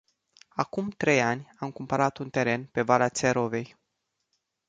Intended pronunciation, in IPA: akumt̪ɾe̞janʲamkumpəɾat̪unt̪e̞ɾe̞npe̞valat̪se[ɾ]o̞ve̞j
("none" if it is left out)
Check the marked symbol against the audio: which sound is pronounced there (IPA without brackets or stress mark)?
ɾ